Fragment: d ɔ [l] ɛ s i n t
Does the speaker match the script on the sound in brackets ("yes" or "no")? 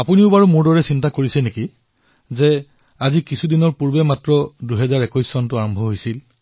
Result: no